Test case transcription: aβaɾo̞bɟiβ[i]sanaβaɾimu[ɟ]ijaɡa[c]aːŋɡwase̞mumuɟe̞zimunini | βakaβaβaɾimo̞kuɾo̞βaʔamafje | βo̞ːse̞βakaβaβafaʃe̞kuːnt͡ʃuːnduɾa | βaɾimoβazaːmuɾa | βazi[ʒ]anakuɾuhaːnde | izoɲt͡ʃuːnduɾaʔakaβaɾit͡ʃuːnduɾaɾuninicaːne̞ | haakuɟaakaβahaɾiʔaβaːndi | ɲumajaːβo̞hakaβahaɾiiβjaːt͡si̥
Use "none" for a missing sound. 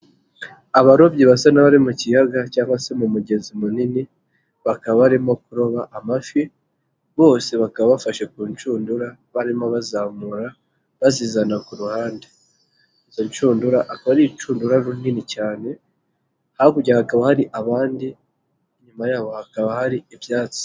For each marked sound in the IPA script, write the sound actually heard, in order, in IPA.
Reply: a, c, c, z

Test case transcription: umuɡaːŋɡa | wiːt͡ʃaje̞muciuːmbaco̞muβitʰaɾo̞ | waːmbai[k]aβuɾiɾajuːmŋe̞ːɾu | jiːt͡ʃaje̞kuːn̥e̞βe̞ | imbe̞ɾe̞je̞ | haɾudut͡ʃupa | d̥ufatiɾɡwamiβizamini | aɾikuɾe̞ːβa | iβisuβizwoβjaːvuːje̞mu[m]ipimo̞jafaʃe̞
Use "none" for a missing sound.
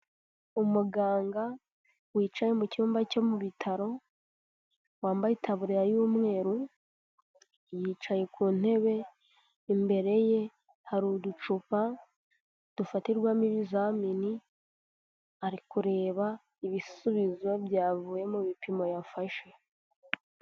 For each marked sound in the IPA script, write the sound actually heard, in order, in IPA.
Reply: t, m

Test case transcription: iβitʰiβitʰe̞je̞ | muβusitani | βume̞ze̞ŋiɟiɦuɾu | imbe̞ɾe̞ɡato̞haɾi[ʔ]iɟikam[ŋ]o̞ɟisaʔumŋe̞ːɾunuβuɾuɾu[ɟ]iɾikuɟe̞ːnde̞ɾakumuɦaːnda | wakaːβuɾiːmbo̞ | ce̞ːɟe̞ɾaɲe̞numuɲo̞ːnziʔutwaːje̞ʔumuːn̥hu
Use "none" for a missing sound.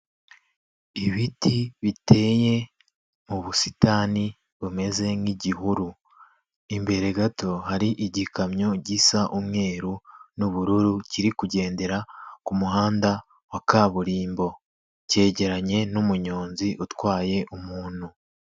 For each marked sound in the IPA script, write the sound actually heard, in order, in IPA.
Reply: ʔ, ɲ, c

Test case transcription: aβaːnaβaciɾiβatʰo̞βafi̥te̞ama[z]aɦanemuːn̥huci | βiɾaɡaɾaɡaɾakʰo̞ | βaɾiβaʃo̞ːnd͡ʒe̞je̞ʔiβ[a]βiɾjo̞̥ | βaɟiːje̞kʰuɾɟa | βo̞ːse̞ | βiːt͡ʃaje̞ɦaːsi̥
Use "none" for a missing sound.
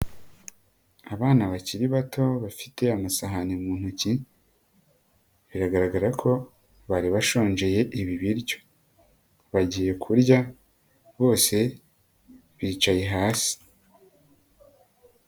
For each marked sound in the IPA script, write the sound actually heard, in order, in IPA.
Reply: s, i

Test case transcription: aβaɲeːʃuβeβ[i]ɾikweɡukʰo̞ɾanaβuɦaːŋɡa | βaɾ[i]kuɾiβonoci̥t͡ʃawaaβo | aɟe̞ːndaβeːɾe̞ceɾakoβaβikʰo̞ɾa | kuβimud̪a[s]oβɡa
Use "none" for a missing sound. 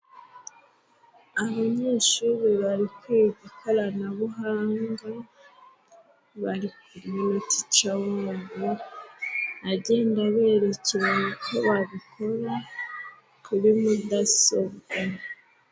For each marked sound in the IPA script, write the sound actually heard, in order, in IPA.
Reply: a, i, s

